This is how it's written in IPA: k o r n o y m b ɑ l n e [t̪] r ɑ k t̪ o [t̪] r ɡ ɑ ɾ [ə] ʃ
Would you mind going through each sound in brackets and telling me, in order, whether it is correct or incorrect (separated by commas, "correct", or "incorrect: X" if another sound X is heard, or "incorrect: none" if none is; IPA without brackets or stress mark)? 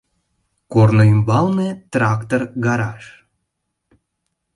correct, incorrect: none, incorrect: ɑ